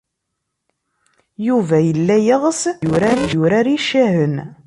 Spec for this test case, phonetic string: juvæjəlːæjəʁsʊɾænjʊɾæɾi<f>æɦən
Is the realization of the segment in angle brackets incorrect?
yes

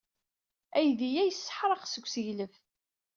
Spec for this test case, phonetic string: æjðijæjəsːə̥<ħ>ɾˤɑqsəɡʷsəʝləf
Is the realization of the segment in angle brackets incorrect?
no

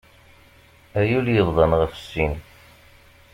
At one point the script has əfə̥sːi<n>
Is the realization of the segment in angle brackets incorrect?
no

